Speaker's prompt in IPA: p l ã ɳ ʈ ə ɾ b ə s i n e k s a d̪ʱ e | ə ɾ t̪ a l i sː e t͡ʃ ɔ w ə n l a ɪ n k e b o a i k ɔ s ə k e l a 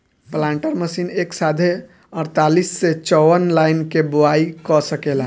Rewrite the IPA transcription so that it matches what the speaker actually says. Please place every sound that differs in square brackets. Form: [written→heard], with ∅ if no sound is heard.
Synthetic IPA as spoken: p l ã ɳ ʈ ə ɾ [b→m] ə s i n e k s a d̪ʱ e | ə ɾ t̪ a l i sː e t͡ʃ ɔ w ə n l a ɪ n k e b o a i k ɔ s ə k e l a